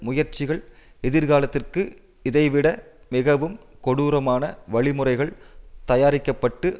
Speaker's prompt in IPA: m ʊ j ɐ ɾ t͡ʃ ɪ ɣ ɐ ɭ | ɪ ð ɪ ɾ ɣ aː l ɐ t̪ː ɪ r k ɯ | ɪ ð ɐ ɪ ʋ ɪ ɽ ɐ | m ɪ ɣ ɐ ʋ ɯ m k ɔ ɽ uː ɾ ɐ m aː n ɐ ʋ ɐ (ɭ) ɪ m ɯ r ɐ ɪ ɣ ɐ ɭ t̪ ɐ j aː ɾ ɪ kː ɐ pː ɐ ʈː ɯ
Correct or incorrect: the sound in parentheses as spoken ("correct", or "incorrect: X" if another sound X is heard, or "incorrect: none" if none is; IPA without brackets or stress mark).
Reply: correct